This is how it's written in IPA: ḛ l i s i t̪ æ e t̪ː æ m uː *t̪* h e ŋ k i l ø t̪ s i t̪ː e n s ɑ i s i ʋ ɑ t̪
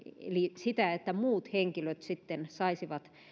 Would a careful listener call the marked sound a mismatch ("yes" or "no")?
no